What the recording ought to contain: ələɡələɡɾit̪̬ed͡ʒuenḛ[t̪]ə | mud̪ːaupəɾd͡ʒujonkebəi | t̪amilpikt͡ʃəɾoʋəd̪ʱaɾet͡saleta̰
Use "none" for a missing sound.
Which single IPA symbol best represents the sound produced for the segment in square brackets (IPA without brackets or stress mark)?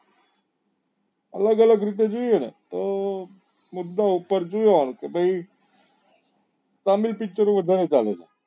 t̪